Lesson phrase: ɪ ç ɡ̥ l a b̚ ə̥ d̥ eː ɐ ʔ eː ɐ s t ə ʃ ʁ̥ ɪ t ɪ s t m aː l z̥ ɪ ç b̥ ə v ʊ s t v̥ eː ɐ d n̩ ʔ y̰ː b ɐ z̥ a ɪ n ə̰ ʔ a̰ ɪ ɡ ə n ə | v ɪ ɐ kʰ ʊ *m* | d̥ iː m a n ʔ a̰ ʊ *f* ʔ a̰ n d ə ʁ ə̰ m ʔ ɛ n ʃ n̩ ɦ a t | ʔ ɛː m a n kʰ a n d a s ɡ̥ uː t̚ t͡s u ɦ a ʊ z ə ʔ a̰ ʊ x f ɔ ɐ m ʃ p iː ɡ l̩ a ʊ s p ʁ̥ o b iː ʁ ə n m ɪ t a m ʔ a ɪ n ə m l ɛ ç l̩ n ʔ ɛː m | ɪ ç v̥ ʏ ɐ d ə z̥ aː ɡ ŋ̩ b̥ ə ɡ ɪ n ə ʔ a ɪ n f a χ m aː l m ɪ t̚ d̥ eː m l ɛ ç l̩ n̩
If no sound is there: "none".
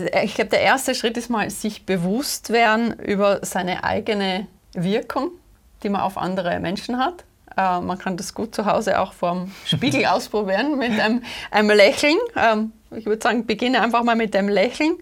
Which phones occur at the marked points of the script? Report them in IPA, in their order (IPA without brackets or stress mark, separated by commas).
ŋ, f